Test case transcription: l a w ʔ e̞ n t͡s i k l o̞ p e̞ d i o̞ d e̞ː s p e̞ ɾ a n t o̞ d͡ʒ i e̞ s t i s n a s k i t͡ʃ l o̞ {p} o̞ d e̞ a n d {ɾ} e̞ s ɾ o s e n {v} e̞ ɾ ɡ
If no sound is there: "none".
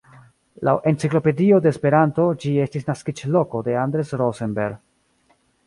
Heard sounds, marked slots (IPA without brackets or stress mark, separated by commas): k, ɾ, b